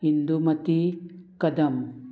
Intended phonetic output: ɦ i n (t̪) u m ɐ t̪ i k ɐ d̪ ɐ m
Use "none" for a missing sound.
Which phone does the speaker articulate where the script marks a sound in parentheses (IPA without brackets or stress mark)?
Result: d̪